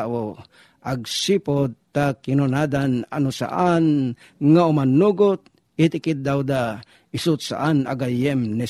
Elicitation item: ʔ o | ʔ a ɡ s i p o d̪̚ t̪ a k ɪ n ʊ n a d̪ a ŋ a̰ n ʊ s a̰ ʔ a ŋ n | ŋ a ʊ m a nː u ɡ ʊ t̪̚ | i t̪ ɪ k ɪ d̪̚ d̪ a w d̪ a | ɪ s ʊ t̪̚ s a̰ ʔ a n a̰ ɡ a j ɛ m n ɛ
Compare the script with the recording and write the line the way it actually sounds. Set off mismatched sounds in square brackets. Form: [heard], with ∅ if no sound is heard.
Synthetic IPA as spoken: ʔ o | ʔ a ɡ s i p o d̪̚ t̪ a k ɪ n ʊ n a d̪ a [n] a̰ n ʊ s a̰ ʔ a [∅] n | ŋ a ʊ m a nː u ɡ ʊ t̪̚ | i t̪ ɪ k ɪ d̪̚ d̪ a w d̪ a | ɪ s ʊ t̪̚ s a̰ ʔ a n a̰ ɡ a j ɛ m n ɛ